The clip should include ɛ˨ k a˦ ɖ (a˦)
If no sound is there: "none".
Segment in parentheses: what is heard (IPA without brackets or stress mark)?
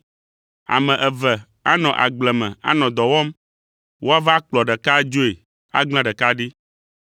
i˦